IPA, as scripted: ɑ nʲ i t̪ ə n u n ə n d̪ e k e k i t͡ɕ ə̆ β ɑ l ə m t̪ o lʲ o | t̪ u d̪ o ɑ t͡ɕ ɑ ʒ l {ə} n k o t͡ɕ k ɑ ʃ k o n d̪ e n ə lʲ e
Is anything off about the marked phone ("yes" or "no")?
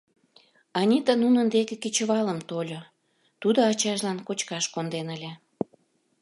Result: yes